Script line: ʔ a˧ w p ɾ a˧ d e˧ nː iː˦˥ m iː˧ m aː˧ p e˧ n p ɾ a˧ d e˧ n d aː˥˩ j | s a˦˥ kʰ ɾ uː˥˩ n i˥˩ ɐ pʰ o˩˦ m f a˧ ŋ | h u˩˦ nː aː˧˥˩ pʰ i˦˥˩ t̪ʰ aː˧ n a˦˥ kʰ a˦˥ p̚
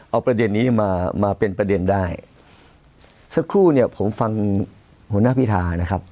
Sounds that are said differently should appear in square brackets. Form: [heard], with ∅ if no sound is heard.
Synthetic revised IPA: ʔ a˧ w p ɾ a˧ d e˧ nː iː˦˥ m [aː˧] m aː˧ p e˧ n p ɾ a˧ d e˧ n d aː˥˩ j | s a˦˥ kʰ ɾ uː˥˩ n i˥˩ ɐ pʰ o˩˦ m f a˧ ŋ | h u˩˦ [n] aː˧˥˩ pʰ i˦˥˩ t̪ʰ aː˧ n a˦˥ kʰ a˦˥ p̚